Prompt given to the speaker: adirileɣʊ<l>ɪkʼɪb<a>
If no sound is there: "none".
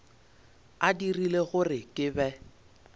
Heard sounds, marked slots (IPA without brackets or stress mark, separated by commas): r, ɛ